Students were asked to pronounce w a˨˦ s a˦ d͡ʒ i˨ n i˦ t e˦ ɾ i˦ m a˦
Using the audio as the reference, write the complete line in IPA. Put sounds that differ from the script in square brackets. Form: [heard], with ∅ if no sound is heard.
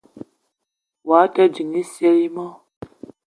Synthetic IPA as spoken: w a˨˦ [t] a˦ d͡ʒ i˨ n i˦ [s] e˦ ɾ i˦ m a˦